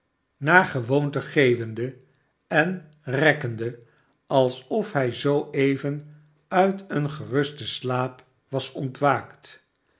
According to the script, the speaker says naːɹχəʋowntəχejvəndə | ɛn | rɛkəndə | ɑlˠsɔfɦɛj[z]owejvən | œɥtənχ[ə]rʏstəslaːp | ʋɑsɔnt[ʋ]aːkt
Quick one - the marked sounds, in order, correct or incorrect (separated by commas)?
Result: correct, correct, correct